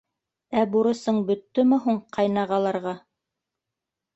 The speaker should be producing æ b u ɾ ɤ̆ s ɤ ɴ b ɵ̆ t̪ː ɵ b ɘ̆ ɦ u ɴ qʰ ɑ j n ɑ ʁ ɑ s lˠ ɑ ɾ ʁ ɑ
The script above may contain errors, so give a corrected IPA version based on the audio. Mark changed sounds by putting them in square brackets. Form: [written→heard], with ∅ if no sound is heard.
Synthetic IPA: æ b u ɾ ɤ̆ s ɤ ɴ b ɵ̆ t̪ː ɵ [b→m] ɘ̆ ɦ u ɴ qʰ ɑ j n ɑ ʁ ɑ [s→∅] lˠ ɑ ɾ ʁ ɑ